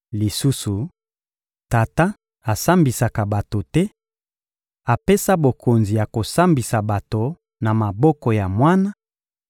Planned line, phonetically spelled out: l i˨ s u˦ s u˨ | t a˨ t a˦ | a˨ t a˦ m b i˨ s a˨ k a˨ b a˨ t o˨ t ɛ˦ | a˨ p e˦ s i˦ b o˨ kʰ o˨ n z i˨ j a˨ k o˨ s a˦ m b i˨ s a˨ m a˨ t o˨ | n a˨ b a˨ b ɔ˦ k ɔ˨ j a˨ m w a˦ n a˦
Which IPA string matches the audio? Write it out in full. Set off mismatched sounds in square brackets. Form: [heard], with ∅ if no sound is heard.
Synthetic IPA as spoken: l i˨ s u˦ s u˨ | t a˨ t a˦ | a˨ [s] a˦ m b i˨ s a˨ k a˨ b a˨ t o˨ t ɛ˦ | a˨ p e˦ s [a˦] b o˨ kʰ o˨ n z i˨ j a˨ k o˨ s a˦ m b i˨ s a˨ [b] a˨ t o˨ | n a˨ [m] a˨ b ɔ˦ k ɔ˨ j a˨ m w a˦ n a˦